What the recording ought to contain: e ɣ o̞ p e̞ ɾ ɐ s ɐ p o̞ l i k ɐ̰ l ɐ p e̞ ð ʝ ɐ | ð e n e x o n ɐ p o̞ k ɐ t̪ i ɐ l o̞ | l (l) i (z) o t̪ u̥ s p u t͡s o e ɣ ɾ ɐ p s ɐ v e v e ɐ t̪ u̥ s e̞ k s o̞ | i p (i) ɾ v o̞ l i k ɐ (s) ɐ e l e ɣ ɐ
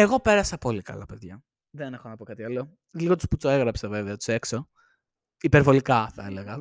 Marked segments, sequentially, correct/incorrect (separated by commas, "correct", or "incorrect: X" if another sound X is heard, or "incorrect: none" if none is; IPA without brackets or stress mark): correct, incorrect: ɣ, incorrect: e, incorrect: θ